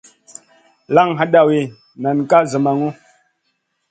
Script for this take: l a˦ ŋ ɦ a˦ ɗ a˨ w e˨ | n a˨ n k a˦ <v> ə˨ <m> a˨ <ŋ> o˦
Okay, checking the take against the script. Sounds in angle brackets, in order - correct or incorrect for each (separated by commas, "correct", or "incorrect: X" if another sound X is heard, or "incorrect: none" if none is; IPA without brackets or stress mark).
incorrect: z, correct, correct